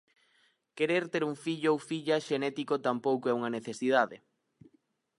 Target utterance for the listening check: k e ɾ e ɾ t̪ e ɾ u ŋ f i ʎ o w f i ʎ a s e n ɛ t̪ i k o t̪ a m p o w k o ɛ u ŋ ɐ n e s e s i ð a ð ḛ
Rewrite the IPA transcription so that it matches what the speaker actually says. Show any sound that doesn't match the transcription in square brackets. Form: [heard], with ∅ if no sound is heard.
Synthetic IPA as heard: k e ɾ e ɾ t̪ e ɾ u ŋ f i ʎ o w f i ʎ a [ʃ] e n ɛ t̪ i k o t̪ a m p o w k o ɛ u ŋ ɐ n e [θ] e s i ð a ð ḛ